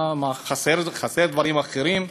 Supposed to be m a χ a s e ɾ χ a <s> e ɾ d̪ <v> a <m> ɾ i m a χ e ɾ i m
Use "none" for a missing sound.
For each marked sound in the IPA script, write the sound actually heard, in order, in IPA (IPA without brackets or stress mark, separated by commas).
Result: s, v, none